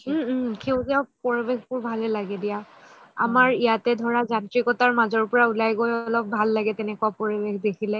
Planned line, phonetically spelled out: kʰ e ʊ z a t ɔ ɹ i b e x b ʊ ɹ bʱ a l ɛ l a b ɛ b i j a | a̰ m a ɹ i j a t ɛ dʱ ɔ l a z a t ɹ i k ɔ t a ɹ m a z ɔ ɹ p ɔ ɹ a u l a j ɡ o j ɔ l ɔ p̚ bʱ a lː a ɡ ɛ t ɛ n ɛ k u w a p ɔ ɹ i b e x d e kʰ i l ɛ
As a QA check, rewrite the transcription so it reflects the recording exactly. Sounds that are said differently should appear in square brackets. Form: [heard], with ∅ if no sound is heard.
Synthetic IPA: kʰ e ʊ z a [p] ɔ ɹ i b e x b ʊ ɹ bʱ a l ɛ l a [ɡ] ɛ [d] i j a | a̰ m a ɹ i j a t ɛ dʱ ɔ [ɹ] a z a t ɹ i k ɔ t a ɹ m a z ɔ ɹ p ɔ ɹ a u l a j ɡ o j ɔ l ɔ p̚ bʱ a lː a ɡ ɛ t ɛ n ɛ k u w a p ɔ ɹ i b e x d e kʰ i l ɛ